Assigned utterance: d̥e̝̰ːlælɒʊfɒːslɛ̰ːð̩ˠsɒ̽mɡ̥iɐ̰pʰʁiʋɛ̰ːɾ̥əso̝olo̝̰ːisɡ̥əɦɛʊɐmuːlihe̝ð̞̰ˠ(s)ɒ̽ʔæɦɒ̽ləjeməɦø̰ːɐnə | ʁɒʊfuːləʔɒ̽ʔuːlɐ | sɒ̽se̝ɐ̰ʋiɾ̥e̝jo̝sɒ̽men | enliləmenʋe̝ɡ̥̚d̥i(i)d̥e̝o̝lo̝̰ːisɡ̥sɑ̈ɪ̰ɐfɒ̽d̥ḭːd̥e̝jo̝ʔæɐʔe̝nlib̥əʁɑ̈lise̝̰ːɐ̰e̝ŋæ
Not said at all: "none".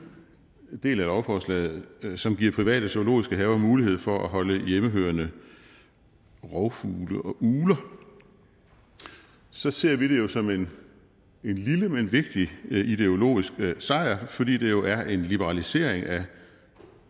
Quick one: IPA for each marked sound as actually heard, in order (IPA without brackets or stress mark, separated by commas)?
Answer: f, i